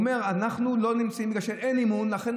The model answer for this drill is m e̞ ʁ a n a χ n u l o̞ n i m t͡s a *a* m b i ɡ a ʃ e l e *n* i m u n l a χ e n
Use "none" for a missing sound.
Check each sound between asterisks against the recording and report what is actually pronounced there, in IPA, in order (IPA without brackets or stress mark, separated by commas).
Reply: i, n